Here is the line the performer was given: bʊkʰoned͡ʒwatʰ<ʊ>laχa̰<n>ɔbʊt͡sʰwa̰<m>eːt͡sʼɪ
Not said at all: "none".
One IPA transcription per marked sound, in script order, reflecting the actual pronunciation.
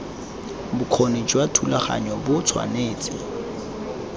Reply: u, ɲ, n

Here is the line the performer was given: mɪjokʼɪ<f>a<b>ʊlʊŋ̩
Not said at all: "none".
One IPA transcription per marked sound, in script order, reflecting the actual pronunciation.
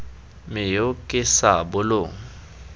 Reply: s, b

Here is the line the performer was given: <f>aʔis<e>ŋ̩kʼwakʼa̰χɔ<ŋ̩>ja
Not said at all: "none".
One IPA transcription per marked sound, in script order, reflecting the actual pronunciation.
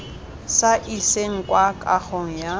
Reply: s, e, ŋ̩

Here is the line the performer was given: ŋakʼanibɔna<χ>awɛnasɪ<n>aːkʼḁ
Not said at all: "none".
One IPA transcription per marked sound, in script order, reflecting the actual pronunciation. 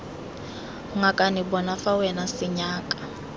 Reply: f, ɲ

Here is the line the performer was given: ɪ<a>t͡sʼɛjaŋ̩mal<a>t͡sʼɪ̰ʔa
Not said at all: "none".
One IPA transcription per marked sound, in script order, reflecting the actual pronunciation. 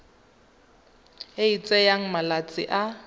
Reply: i, a

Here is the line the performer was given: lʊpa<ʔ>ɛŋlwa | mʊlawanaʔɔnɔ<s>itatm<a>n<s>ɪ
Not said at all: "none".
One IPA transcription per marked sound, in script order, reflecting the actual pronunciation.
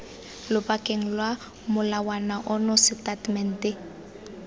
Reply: k, s, ɛ, t

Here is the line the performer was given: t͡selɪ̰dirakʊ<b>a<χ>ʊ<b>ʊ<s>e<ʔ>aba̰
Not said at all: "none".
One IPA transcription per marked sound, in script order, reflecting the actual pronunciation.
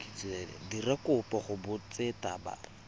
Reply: p, χ, b, t͡s, t

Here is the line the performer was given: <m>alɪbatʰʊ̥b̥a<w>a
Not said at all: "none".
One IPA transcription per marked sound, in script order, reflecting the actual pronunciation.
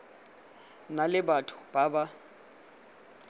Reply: n, b

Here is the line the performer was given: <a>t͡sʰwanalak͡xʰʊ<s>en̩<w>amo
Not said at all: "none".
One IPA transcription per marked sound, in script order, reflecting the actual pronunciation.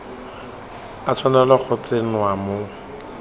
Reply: a, t͡s, w

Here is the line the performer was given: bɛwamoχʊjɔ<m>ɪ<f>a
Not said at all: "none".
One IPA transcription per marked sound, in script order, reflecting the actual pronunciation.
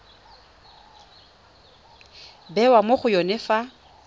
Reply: n, f

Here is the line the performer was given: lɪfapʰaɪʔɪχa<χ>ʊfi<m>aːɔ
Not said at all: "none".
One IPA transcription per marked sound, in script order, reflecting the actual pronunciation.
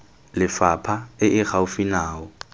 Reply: none, n

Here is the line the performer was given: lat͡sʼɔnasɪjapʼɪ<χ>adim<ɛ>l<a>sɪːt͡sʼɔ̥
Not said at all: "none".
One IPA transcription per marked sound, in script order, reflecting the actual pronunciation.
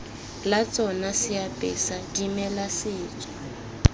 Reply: s, ɛ, a

